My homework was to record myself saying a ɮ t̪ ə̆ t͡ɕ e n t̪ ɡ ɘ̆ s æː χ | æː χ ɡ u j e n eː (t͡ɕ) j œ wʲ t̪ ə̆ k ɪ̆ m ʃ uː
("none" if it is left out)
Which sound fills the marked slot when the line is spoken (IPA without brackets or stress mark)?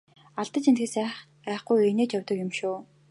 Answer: t͡ɕ